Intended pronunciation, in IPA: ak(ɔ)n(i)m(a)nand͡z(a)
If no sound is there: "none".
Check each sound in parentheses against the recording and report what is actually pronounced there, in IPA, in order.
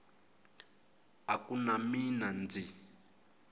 u, a, i, i

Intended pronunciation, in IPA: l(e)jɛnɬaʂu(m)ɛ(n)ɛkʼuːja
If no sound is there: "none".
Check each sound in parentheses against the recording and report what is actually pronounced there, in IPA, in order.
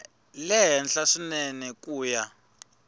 ɛ, n, n

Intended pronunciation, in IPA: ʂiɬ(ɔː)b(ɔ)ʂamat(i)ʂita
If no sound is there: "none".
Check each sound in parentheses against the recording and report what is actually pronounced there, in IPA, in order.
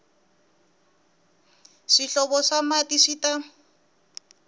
ɔ, ɔ, i

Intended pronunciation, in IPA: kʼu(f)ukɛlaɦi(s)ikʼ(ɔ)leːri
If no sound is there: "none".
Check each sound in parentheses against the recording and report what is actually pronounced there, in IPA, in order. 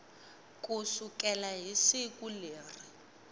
s, s, u

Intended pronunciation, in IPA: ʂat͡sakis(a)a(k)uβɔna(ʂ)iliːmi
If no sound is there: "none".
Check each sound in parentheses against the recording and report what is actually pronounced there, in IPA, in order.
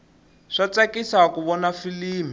a, k, f

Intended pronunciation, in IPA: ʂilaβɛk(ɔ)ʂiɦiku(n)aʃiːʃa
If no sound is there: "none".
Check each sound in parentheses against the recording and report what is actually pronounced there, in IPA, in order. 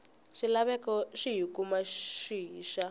ɔ, m

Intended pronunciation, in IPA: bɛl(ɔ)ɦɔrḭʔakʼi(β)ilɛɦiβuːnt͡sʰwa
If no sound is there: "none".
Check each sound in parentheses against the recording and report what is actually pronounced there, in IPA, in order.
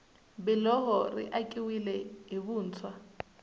ɔ, w

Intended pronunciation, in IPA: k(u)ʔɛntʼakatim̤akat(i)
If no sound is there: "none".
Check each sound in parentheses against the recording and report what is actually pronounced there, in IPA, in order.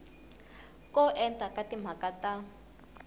ɔ, a

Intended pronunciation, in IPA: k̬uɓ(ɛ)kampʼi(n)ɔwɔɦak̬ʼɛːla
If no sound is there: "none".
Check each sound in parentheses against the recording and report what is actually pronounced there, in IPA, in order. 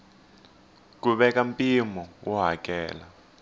ɛ, m

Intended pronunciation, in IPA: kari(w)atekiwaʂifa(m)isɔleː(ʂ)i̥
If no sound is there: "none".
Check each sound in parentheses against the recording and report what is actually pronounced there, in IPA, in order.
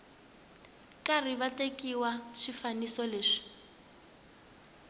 β, n, ʂ

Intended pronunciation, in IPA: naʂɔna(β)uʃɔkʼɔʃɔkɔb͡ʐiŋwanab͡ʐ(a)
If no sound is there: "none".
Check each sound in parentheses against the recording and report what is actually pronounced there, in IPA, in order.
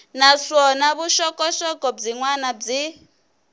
β, i

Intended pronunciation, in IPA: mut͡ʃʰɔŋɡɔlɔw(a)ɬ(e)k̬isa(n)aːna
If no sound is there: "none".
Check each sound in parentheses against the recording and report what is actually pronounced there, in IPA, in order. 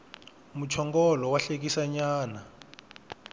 a, e, ɲ

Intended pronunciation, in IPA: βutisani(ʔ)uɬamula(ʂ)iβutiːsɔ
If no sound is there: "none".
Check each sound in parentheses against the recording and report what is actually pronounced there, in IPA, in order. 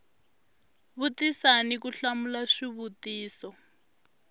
k, ʂ

